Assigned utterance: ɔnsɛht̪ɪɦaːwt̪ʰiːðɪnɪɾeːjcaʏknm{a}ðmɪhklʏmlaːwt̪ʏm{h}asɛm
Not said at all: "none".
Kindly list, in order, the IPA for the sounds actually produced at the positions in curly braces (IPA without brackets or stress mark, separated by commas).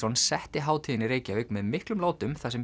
ɛ, θ